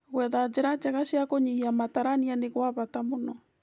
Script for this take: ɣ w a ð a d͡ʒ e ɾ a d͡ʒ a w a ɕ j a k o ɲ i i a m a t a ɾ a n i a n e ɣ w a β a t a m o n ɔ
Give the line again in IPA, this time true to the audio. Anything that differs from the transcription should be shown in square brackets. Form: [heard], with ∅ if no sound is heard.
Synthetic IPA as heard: ɣ w [ɛ] ð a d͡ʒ e ɾ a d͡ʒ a [ɣ] a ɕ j a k o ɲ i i a m a t a ɾ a n i a n e ɣ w a β a t a m o n ɔ